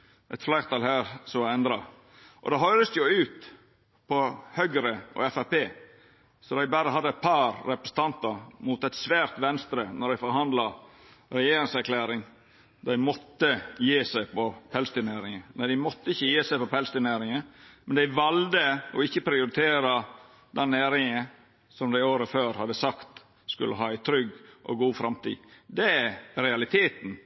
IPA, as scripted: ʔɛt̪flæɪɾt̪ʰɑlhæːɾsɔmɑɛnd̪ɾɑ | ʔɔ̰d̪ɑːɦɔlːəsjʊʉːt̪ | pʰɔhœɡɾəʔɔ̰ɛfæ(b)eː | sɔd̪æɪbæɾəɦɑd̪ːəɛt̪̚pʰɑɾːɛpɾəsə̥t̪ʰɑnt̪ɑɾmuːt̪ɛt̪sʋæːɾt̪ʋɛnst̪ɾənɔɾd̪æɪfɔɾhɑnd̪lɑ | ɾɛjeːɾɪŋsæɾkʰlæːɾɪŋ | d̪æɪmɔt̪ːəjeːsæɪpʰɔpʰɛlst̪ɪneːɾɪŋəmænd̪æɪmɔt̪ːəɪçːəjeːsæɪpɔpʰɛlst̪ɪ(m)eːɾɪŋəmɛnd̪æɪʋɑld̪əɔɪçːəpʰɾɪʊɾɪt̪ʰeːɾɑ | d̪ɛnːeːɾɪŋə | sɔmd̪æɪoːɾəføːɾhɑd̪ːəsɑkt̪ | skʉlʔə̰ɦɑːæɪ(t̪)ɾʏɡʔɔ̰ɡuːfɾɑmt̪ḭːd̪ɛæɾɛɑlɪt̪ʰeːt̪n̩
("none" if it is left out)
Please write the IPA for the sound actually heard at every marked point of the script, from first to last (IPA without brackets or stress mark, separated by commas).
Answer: p, n, t̪ʰ